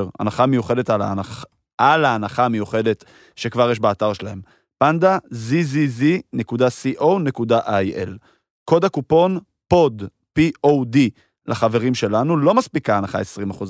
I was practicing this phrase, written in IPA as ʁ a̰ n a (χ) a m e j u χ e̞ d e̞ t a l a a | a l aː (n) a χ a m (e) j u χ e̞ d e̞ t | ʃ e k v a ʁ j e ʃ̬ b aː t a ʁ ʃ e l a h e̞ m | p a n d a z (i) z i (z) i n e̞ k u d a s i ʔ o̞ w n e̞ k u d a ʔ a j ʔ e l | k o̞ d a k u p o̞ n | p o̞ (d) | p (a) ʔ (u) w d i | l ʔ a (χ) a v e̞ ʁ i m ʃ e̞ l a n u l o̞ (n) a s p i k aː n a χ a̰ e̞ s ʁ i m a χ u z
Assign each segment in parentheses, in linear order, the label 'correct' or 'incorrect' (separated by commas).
correct, correct, correct, correct, correct, correct, incorrect, incorrect, correct, incorrect